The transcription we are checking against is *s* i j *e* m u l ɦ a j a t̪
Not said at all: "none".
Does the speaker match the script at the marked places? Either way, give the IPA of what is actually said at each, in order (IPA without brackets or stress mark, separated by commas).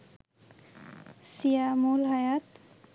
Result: s, a